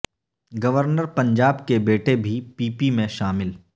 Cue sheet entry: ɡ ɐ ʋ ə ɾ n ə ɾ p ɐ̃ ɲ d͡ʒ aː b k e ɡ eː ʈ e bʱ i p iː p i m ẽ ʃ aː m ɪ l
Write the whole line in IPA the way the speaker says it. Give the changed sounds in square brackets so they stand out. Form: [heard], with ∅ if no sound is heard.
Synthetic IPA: ɡ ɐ ʋ ə ɾ n ə ɾ p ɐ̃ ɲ d͡ʒ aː b k e [b] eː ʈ e bʱ i p iː p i m ẽ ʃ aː m ɪ l